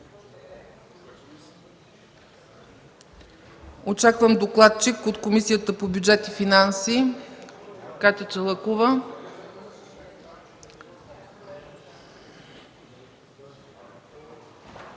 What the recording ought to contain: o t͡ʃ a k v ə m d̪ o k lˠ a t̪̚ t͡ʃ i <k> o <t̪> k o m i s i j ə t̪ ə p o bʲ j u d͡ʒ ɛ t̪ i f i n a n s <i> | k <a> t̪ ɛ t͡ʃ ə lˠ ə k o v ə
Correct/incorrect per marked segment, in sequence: correct, correct, correct, correct

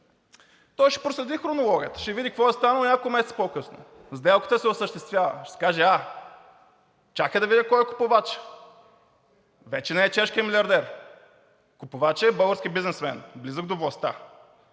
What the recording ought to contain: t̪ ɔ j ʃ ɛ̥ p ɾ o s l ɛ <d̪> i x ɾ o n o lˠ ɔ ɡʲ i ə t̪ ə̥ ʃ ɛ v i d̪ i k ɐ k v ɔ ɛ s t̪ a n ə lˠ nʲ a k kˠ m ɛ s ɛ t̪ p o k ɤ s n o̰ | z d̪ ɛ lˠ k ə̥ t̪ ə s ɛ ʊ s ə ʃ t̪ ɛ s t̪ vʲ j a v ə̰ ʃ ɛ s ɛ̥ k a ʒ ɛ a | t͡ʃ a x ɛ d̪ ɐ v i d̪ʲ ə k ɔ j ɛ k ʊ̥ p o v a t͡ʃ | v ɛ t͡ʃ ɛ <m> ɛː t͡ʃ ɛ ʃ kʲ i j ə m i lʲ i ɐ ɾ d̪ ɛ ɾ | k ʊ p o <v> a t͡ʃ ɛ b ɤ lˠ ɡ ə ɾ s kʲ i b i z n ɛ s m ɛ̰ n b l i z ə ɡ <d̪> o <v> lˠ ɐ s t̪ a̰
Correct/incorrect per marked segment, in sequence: correct, incorrect: n, correct, correct, correct

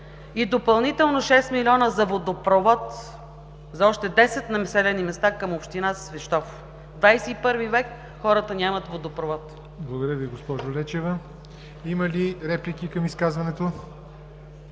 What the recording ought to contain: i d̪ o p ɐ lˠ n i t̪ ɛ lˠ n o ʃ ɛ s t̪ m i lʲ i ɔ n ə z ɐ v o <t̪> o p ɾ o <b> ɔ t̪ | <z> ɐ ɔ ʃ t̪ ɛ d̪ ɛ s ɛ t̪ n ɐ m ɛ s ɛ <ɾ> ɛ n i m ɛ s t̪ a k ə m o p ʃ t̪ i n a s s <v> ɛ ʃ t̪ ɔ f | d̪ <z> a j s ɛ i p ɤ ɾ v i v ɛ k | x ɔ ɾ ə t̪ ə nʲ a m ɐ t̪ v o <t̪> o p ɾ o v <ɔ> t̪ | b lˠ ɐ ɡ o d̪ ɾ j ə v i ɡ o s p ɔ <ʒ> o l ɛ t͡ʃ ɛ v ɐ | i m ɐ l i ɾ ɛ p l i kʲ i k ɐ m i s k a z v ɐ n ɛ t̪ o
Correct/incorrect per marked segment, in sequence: incorrect: d̪, incorrect: v, correct, incorrect: l, correct, incorrect: v, incorrect: d̪, correct, correct

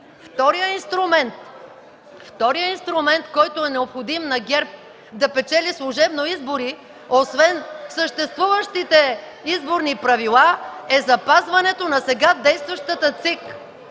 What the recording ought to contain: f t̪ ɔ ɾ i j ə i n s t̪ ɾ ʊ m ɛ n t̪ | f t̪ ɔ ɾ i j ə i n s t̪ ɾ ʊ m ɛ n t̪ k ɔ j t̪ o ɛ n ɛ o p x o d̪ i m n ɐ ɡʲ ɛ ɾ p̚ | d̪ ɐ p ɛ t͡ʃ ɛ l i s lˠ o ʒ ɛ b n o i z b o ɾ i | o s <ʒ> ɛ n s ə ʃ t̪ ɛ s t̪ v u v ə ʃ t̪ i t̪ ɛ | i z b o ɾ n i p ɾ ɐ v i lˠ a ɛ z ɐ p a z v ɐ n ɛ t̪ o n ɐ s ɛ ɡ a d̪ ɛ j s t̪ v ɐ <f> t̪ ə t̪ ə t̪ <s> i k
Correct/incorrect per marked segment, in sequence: incorrect: v, incorrect: ʃ, correct

